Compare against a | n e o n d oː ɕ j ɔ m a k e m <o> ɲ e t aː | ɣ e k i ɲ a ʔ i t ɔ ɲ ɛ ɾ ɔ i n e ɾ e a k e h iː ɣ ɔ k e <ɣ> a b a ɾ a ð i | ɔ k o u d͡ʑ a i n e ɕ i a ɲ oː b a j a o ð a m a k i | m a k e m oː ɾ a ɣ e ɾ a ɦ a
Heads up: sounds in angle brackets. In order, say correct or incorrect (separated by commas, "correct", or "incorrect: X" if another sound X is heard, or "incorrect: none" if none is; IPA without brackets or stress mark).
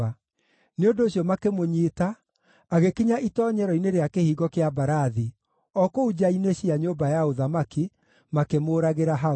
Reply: correct, incorrect: none